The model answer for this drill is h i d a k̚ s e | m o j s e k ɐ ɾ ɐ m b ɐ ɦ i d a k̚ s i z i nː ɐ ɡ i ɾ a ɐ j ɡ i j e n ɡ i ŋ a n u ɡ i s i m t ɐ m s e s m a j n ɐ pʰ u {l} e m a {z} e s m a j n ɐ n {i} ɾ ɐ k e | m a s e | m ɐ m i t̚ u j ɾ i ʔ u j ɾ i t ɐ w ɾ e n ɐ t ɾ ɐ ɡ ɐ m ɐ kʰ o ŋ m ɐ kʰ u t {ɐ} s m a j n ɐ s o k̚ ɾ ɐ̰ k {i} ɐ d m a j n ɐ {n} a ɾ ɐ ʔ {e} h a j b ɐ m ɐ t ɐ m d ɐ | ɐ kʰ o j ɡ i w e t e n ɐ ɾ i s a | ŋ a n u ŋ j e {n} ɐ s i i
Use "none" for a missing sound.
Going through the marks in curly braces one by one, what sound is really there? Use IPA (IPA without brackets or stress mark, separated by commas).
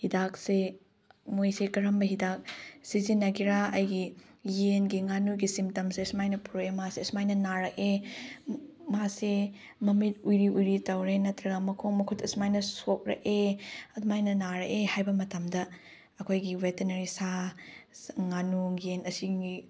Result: ɾ, s, a, ɐ, e, n, e, n